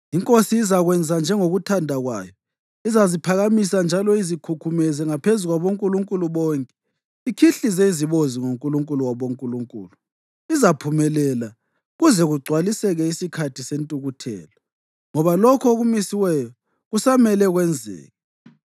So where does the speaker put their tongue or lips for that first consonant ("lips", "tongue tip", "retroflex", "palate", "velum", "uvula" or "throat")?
velum